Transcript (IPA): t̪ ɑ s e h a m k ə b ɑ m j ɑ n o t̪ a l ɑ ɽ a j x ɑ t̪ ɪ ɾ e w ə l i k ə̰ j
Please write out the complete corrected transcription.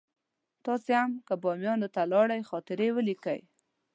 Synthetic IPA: t̪ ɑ s e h a m k ə b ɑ m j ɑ n o t̪ a l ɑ ɽ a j x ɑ t̪ ɪ ɾ e w ə l i k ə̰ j